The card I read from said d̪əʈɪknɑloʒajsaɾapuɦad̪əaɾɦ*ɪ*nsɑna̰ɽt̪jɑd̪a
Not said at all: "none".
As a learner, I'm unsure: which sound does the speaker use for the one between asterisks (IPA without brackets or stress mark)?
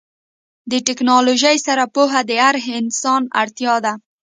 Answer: ɪ